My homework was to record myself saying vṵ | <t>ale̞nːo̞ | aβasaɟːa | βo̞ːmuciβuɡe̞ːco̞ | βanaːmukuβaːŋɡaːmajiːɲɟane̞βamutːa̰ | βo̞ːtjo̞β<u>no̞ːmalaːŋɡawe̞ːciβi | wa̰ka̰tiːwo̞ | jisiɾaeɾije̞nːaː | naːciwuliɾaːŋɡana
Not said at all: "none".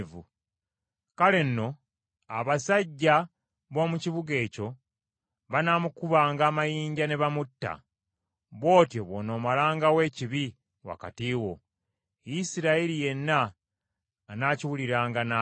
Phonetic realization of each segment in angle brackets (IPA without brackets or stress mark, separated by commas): k, o